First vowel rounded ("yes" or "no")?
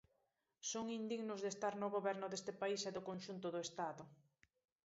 yes